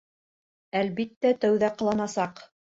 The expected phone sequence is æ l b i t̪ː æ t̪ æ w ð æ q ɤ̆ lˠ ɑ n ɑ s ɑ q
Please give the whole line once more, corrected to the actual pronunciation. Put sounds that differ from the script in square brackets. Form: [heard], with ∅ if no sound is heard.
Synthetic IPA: æ l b i t̪ː æ t̪ æ w ð æ q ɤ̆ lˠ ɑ n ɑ s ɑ q